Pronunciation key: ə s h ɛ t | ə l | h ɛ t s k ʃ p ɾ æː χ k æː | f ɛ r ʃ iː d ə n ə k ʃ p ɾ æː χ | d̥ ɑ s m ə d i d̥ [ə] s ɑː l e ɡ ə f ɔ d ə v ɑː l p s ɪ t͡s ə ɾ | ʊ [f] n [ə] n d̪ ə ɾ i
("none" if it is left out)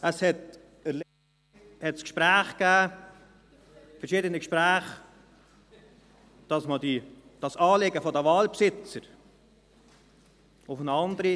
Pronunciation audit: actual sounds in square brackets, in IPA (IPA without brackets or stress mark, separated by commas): ɑ, f, ɑ